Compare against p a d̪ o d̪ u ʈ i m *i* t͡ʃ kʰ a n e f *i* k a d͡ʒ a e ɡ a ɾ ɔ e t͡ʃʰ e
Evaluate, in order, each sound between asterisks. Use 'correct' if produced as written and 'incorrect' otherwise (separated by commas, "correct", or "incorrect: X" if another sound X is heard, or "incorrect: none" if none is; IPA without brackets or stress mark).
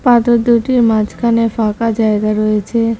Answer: incorrect: a, incorrect: a